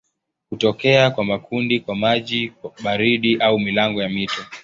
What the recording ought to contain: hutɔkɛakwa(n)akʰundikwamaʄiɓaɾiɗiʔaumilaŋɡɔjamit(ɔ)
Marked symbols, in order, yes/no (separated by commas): no, yes